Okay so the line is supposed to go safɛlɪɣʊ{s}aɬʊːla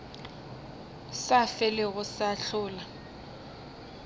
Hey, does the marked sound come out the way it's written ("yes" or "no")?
yes